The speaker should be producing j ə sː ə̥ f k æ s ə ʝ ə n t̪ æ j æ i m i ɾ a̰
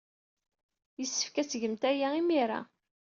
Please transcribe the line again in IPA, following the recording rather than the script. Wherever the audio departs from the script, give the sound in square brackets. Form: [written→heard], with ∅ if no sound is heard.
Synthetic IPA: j ə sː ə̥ f k æ s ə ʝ ə [n→m] t̪ æ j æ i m i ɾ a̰